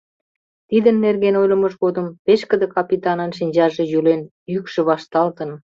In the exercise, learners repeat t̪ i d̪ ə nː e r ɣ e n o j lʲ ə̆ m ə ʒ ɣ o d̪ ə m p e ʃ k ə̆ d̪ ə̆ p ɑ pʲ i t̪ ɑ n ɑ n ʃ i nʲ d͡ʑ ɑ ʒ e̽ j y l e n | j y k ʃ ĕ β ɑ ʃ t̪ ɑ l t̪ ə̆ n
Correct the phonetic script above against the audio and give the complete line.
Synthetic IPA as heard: t̪ i d̪ ə nː e r ɣ e n o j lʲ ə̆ m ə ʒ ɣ o d̪ ə m p e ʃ k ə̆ d̪ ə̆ k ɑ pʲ i t̪ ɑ n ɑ n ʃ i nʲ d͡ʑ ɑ ʒ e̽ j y l e n | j y k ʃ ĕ β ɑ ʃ t̪ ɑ l t̪ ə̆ n

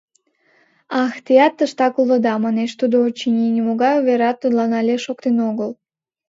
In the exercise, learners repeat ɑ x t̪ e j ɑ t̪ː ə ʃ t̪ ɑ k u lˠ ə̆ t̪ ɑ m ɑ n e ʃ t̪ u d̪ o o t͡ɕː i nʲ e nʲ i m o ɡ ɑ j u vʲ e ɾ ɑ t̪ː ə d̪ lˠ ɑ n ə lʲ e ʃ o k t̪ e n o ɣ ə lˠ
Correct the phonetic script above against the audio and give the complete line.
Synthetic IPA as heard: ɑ x t̪ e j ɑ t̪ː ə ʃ t̪ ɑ k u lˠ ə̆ d̪ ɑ m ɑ n e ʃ t̪ u d̪ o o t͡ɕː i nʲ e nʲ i m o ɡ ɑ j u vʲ e ɾ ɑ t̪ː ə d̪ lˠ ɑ n ɑ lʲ e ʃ o k t̪ e n o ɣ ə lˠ

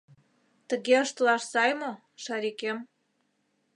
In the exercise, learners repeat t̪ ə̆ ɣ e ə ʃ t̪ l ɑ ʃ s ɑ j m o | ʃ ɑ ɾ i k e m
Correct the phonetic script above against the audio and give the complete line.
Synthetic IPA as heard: t̪ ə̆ ɣ e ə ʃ t̪ l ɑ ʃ s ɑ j m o | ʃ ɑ ɾ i k e m

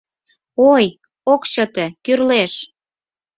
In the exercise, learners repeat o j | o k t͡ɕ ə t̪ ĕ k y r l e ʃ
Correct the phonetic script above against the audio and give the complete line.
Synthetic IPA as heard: o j | o k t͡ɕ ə t̪ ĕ k y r l e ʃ

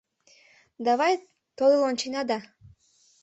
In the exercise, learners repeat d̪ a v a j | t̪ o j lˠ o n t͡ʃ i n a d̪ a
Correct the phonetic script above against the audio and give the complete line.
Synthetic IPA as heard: d̪ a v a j | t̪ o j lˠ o n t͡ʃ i n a d̪ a

